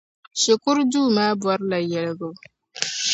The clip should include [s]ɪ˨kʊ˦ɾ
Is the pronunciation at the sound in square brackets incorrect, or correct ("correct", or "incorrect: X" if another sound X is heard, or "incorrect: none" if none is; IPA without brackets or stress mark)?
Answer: incorrect: ʃ